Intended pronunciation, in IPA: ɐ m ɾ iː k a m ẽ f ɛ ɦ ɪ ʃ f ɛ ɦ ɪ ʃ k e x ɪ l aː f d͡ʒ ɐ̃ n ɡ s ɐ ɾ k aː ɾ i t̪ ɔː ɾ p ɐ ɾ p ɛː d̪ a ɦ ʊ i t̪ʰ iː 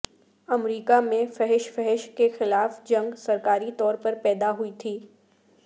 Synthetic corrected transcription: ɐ m ɾ iː k a m ẽ f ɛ ɦ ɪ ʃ f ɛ ɦ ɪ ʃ k e x ɪ l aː f d͡ʒ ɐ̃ ŋ ɡ s ɐ ɾ k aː ɾ i t̪ ɔː ɾ p ɐ ɾ p ɛː d̪ a ɦ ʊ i t̪ʰ iː